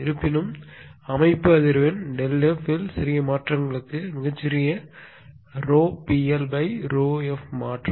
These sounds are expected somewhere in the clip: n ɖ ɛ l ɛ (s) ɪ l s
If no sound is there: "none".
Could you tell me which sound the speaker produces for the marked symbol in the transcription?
f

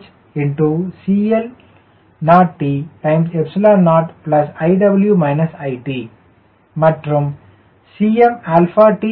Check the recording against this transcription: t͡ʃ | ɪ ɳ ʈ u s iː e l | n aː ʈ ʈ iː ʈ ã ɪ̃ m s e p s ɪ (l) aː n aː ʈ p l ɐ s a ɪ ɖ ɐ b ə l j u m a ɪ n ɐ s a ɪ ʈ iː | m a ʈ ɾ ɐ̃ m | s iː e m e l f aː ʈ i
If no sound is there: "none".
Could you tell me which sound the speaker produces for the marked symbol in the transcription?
l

